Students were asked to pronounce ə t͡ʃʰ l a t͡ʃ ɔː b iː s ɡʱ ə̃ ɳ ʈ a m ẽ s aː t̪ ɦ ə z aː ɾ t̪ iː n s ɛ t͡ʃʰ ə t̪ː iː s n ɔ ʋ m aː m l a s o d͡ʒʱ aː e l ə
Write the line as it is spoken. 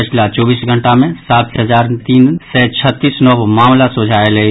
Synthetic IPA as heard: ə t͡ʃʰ l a t͡ʃ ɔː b iː s ɡʱ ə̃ ɳ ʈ a m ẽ s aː t̪ ɦ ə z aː ɾ t̪ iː n s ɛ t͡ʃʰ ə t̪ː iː s n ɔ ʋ m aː m l a s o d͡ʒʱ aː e l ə

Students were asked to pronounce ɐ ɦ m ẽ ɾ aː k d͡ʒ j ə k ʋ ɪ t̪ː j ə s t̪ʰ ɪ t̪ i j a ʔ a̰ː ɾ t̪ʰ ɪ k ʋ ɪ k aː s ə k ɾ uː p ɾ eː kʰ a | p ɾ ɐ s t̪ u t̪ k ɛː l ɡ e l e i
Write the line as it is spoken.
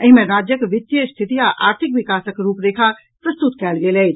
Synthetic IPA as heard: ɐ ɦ m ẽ ɾ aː d͡ʒ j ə k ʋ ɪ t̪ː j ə s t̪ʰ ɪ t̪ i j a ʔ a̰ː ɾ t̪ʰ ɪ k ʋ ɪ k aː s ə k ɾ uː p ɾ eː kʰ a | p ɾ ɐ s t̪ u t̪ k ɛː l ɡ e l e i

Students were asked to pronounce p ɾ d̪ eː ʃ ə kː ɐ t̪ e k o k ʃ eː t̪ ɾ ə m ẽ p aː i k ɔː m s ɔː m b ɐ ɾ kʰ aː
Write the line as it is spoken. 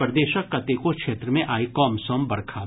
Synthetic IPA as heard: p ɾ d̪ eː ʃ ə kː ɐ t̪ e k o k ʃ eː t̪ ɾ ə m ẽ ʔ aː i k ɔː m s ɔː m b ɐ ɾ kʰ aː

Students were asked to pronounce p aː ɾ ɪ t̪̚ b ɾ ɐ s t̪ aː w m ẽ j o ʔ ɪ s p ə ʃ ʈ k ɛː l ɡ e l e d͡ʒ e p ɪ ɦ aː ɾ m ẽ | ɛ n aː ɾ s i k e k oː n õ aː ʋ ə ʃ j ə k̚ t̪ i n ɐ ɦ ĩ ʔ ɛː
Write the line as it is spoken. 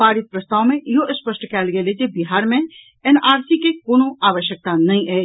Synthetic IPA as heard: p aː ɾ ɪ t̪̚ p ɾ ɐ s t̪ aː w m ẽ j o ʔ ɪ s p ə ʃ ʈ k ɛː l ɡ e l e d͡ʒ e b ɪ ɦ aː ɾ m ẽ | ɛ n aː ɾ s i k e k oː n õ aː ʋ ə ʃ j ə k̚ t̪ a n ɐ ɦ ĩ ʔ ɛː

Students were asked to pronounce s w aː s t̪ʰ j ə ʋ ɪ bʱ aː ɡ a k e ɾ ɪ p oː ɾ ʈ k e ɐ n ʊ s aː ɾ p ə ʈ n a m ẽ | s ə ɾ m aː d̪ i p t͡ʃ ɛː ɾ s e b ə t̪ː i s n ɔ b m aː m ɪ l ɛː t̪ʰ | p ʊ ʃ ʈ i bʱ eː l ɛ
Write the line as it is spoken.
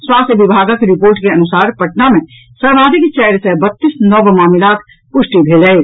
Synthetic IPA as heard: s w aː s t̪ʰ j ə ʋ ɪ bʱ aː ɡ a k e ɾ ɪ p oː ɾ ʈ k e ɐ n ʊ s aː ɾ p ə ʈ n a m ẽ | s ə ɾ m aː d̪ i k t͡ʃ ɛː ɾ s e b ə t̪ː i s n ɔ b m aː m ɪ l aː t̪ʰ | p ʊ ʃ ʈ i bʱ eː l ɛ

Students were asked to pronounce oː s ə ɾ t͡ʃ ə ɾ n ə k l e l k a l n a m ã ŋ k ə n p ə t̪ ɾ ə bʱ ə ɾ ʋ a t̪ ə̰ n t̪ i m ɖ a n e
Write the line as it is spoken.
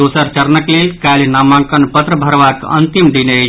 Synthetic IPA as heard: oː s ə ɾ t͡ʃ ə ɾ n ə k l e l k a l n a m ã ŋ k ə n p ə t̪ ɾ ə bʱ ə ɾ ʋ a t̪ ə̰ n t̪ i m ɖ i n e

